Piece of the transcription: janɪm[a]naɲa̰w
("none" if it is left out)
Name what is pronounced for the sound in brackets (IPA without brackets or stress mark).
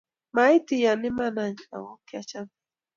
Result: a